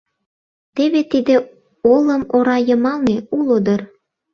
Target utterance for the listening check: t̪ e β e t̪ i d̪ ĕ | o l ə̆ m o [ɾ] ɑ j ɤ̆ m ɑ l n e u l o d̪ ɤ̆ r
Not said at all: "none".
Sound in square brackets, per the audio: ɾ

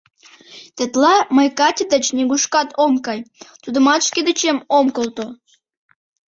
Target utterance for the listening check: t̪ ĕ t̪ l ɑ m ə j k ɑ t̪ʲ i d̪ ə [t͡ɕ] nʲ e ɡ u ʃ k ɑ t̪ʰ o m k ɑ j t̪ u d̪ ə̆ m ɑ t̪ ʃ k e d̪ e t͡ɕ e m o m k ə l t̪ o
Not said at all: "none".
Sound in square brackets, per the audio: t͡ɕ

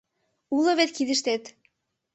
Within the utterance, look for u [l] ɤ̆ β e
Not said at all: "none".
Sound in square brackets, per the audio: l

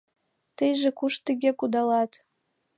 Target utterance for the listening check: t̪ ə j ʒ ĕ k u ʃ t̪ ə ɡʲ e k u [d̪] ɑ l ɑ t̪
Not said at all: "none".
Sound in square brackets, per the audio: d̪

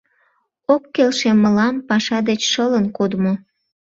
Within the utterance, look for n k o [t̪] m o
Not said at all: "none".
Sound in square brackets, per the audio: d̪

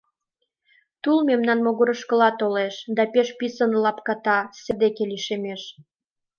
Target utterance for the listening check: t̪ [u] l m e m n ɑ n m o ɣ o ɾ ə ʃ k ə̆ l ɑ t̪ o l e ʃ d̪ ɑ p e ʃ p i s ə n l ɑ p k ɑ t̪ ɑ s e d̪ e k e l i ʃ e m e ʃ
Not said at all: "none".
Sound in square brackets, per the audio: u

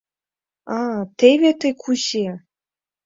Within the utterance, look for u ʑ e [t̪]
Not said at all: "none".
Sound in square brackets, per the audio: none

